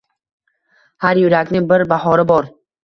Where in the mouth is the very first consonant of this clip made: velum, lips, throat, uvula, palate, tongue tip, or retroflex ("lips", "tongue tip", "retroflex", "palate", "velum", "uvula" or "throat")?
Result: throat